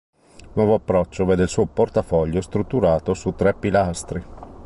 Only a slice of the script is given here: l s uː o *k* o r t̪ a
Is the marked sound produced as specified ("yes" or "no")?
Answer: no